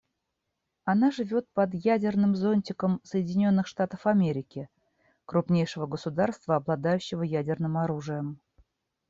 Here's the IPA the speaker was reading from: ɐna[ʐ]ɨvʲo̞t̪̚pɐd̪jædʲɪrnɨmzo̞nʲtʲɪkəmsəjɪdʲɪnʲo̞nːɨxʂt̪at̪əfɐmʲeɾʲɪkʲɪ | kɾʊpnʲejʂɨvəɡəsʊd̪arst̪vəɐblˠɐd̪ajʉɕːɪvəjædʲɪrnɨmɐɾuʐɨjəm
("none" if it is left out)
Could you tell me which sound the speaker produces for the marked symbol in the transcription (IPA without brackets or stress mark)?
ʐ